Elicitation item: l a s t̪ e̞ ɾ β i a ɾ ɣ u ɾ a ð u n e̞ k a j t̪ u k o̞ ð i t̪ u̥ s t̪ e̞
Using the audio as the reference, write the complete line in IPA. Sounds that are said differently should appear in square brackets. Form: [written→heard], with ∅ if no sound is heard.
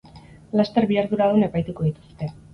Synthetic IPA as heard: l a s t̪ e̞ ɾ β i a ɾ [ɣ→ð] u ɾ a ð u n e̞ [k→p] a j t̪ u k o̞ ð i t̪ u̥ s t̪ e̞